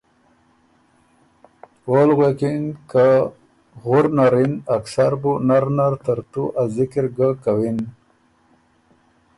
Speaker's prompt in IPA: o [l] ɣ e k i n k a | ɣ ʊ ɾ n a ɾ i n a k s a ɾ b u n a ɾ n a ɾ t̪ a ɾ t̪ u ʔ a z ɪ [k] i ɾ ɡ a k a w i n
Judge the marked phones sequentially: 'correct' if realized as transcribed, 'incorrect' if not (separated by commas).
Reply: correct, correct